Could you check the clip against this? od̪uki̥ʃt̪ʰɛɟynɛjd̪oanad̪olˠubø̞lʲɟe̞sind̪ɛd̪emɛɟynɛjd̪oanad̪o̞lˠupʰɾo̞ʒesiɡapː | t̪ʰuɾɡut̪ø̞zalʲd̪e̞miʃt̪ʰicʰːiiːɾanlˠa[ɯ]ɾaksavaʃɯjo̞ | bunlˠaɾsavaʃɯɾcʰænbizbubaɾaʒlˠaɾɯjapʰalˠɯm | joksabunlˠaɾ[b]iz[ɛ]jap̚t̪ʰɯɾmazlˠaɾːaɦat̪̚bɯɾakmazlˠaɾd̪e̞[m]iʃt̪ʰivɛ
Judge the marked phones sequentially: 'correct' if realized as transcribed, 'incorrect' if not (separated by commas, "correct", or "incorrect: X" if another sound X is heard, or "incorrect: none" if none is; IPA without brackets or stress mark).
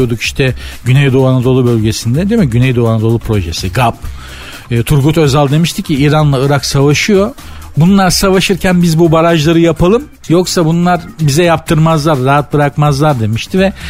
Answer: correct, correct, correct, correct